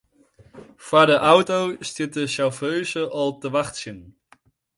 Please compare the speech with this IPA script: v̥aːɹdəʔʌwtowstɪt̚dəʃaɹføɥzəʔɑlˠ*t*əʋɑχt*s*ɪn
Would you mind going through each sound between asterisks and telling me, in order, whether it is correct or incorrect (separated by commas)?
correct, correct